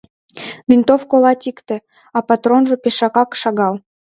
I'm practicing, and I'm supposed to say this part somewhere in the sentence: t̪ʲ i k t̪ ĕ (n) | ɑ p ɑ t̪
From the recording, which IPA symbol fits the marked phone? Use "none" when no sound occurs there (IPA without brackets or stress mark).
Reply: none